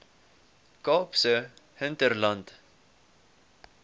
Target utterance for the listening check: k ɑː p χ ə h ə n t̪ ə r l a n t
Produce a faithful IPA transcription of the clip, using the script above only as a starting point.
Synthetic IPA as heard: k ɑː p s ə h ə n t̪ ə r l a n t